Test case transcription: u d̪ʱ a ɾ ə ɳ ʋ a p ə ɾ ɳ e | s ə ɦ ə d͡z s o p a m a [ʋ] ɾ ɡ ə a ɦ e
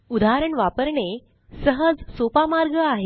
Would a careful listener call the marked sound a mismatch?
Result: yes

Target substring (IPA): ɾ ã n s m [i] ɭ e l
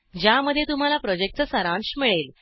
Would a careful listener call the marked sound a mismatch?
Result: no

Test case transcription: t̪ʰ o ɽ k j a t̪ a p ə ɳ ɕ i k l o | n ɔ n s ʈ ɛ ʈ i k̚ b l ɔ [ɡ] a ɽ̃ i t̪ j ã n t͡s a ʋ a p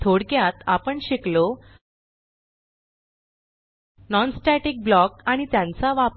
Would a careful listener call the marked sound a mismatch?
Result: yes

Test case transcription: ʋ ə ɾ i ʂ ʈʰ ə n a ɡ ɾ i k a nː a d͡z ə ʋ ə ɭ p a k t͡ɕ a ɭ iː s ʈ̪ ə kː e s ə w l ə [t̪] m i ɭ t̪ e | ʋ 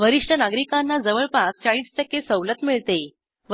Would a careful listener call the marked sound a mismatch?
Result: no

